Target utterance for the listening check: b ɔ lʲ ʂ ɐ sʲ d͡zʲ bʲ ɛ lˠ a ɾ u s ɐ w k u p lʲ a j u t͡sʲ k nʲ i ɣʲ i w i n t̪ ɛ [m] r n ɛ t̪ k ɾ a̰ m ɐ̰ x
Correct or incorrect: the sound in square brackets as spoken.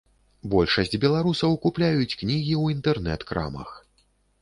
incorrect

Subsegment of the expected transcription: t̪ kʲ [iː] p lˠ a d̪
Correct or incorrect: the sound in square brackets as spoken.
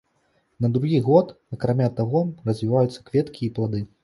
correct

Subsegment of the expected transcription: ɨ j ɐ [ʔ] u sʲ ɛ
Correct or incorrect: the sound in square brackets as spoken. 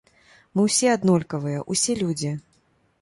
correct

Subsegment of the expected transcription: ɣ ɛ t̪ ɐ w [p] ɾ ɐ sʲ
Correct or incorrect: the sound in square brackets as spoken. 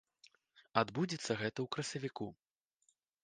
incorrect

